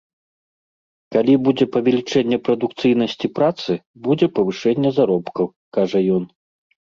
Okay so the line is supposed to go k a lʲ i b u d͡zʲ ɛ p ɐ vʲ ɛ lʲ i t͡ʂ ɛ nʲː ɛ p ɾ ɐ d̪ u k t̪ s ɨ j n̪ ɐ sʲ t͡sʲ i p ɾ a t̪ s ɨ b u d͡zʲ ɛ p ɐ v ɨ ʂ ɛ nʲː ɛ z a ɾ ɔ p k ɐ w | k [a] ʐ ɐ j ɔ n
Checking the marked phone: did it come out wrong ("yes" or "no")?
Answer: no